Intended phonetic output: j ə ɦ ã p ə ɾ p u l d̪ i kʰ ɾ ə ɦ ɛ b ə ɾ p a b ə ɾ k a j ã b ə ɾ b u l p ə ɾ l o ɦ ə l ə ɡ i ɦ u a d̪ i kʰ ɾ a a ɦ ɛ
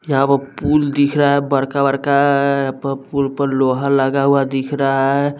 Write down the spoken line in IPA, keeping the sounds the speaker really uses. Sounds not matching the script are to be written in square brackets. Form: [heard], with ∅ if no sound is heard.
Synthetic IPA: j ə ɦ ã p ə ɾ p u l d̪ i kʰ ɾ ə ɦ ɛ b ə ɾ [k] a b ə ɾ k a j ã [p] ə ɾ [p] u l p ə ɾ l o ɦ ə l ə ɡ [a] ɦ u a d̪ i kʰ ɾ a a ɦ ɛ